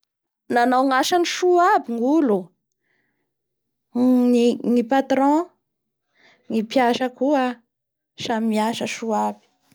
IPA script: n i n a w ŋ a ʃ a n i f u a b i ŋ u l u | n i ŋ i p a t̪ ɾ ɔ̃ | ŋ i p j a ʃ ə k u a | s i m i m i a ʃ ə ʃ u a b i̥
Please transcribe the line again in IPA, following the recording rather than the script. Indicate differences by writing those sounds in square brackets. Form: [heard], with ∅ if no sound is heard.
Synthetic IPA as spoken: n [a] n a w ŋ a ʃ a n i [ʃ] u a b i ŋ u l u | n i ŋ i p a t̪ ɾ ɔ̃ | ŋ i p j a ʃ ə k u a | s [a] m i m i a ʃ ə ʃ u a b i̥